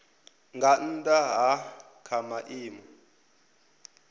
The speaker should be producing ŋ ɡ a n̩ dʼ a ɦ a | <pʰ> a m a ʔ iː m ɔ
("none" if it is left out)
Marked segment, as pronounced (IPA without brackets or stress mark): kʰ